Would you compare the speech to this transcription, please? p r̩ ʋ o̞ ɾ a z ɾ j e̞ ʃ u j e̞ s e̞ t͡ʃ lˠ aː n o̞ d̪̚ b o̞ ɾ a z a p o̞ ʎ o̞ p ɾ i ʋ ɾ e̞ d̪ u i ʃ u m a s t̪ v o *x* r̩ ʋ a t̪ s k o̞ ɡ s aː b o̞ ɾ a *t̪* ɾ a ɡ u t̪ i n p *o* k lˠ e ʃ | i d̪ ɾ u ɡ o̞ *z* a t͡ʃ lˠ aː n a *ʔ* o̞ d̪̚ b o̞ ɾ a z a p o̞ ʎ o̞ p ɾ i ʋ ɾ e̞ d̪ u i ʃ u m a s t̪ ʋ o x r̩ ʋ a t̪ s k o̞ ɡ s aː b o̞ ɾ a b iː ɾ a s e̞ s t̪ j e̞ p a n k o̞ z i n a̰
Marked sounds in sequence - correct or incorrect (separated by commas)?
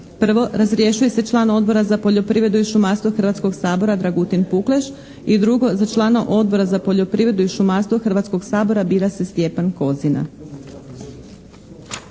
correct, incorrect, incorrect, correct, correct